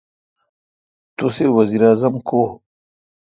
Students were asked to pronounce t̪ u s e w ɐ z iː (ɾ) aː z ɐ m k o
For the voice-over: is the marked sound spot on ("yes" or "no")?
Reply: yes